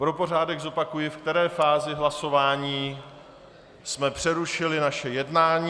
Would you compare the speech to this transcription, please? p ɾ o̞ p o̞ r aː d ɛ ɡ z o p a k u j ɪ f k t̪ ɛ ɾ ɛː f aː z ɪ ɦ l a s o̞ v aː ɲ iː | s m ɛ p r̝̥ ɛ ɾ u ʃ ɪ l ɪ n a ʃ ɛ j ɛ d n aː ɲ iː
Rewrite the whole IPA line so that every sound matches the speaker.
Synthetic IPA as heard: p ɾ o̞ p o̞ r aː d ɛ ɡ z o p a k u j ɪ f k t̪ ɛ ɾ ɛː f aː z ɪ ɦ l a s o̞ v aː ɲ iː | s m ɛ p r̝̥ ɛ ɾ u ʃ ɪ l ɪ n a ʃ ɛ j ɛ d n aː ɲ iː